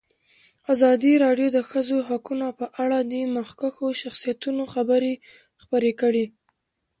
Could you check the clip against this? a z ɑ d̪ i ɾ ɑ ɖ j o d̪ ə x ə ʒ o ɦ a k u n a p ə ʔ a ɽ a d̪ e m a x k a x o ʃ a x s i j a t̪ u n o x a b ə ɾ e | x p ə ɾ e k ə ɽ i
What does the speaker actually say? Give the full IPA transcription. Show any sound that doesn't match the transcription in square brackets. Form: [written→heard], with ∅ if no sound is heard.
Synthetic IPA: a z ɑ d̪ i ɾ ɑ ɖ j o d̪ ə x ə [ʒ→z] o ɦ a k u n a p ə ʔ a ɽ a d̪ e m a x k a x o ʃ a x s i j a t̪ u n o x a b ə ɾ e | x p ə ɾ e k ə ɽ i